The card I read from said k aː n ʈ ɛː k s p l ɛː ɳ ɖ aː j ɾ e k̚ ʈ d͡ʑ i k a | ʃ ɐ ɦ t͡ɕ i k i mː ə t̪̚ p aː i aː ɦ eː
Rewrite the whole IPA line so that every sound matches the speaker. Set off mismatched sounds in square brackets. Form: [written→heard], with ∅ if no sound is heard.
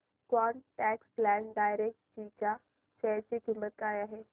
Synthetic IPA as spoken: k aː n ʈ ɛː k s p l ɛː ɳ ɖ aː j ɾ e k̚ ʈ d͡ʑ i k a | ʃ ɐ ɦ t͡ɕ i k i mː ə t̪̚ [p→k] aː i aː ɦ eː